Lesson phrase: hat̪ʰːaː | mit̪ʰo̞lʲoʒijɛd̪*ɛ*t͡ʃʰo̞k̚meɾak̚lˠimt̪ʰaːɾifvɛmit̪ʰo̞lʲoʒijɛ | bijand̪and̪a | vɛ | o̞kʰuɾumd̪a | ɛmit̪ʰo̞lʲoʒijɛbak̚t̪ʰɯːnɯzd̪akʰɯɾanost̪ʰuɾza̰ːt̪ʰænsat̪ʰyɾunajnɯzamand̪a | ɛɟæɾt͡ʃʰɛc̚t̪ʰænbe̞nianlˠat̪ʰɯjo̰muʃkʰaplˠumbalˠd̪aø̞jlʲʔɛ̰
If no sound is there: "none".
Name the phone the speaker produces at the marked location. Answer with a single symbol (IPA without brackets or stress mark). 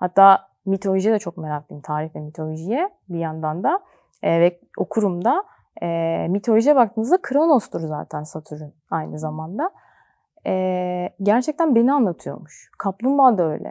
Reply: ɛ